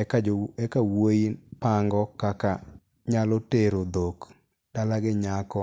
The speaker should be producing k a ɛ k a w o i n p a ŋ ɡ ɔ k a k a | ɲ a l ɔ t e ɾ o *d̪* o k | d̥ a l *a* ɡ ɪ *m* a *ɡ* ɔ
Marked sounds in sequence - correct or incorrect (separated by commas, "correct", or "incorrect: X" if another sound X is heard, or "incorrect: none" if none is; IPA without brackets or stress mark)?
correct, correct, incorrect: ɲ, incorrect: k